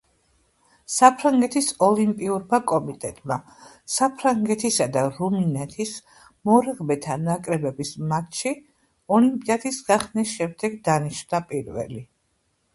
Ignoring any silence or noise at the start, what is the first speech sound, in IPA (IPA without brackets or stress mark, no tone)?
s